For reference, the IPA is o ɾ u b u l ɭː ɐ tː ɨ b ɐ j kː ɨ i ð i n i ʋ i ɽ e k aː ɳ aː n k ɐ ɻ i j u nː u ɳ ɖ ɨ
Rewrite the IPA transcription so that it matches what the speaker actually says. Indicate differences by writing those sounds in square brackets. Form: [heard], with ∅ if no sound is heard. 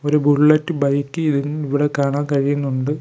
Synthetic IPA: o ɾ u b u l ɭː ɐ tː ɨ b ɐ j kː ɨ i ð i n i ʋ i ɽ e k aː ɳ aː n k ɐ ɻ i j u nː u ɳ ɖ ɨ